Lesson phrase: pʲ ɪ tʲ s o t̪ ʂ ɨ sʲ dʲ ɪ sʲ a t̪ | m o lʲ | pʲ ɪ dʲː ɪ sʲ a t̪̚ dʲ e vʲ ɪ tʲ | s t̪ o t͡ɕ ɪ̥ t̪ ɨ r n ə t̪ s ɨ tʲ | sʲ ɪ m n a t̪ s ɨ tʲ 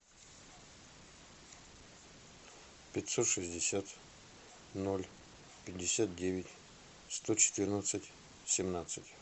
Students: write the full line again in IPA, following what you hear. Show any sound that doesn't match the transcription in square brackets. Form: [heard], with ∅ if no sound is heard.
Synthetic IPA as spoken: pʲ ɪ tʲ s o t̪ ʂ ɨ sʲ dʲ ɪ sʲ a t̪ | [n] o lʲ | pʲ ɪ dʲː ɪ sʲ a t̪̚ dʲ e vʲ ɪ tʲ | s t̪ o t͡ɕ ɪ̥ t̪ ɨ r n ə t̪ s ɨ tʲ | sʲ ɪ m n a t̪ s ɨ tʲ